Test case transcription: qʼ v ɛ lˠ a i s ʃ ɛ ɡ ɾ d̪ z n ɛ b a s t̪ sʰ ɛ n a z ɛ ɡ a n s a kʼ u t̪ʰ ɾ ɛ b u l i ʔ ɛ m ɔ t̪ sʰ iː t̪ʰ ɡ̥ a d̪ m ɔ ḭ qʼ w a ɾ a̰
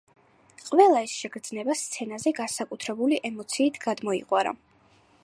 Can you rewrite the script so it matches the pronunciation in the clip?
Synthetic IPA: qʼ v ɛ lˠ a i s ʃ ɛ ɡ ɾ d̪ z n ɛ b a s t̪ sʰ ɛ n a z ɛ ɡ a n s a kʼ u t̪ʰ ɾ ɛ b u l i ʔ ɛ m ɔ t̪ sʰ iː t̪ʰ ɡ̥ a d̪ m ɔ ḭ qʼ w a ɾ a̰